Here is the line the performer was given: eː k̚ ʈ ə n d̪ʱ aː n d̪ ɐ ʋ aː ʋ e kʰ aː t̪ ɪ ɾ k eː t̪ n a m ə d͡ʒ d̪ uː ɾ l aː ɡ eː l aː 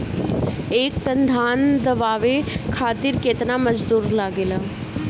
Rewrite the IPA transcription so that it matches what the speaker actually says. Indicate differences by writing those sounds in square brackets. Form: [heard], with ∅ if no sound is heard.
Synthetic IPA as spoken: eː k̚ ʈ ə n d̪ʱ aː n d̪ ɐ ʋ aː ʋ e kʰ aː t̪ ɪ ɾ k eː t̪ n a m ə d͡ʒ d̪ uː ɾ l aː ɡ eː l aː